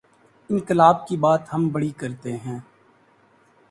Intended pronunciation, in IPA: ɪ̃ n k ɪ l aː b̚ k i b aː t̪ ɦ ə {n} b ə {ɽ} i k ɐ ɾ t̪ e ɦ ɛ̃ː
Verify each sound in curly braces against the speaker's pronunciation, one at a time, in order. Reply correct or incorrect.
incorrect: m, correct

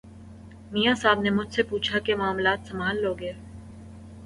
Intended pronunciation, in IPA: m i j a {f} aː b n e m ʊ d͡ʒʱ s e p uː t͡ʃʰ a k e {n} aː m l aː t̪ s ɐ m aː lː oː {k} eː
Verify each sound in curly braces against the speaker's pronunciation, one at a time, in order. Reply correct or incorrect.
incorrect: s, incorrect: m, incorrect: ɡ

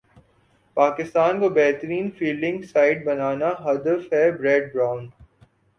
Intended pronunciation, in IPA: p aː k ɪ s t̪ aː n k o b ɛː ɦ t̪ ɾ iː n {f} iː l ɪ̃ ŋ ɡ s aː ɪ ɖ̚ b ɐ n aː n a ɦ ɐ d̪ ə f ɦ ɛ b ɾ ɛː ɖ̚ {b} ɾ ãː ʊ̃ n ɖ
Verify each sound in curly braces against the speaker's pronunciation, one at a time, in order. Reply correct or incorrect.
correct, correct

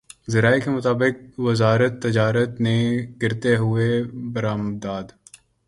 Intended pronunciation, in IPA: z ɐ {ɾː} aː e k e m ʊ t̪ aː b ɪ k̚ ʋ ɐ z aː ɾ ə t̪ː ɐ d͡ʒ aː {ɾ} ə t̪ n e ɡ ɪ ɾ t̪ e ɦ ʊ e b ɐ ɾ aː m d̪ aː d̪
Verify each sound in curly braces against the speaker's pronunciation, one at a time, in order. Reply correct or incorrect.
incorrect: ɾ, correct

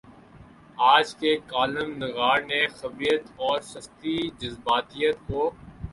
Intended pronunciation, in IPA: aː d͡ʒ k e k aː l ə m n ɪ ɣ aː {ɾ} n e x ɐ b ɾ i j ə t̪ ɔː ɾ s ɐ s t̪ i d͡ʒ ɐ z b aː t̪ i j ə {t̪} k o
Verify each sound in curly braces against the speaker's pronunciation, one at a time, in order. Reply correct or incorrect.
correct, correct

